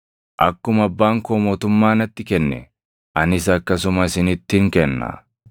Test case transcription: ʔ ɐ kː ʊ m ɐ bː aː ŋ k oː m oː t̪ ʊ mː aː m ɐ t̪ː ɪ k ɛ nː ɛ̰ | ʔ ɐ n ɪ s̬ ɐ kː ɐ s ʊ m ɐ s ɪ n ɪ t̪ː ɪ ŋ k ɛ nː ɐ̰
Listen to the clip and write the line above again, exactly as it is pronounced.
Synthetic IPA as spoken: ʔ ɐ kː ʊ m ɐ bː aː ŋ k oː m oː t̪ ʊ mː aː n ɐ t̪ː ɪ k ɛ nː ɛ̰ | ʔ ɐ n ɪ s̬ ɐ kː ɐ s ʊ m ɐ s ɪ n ɪ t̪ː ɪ ŋ k ɛ nː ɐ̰